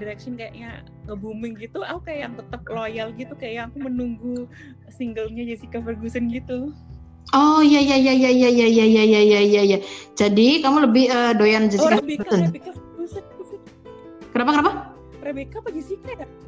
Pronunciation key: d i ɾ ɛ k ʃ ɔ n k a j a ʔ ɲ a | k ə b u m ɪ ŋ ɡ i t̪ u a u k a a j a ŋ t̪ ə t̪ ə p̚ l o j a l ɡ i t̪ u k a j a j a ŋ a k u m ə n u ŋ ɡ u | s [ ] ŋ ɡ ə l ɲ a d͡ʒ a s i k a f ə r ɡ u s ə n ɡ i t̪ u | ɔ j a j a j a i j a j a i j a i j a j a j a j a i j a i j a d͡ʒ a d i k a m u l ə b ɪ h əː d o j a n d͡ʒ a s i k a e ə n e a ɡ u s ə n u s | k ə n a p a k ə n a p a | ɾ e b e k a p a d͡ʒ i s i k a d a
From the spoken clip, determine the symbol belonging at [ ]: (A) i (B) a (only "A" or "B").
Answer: A